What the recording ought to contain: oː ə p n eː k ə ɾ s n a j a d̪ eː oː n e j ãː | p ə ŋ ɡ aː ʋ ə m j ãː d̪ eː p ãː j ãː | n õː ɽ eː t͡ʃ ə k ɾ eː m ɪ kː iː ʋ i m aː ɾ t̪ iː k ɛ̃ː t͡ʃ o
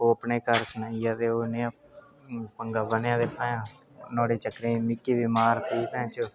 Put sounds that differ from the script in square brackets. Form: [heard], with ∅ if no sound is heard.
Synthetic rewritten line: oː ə p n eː k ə ɾ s n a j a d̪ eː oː n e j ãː | p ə ŋ ɡ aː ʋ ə [n] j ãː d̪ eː p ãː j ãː | n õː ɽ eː t͡ʃ ə k ɾ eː m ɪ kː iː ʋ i m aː ɾ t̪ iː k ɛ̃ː t͡ʃ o